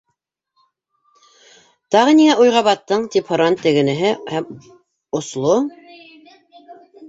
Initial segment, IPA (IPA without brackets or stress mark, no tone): t̪